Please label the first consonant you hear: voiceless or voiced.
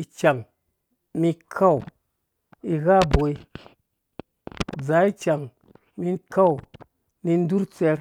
voiceless